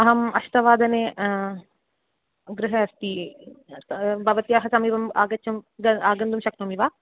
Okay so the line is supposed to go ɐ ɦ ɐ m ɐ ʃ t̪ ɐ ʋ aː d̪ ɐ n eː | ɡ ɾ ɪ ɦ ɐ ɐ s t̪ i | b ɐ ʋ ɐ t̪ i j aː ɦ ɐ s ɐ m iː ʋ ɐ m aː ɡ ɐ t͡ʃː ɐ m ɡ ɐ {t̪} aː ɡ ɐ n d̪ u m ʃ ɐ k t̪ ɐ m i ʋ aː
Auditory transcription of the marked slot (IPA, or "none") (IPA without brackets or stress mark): none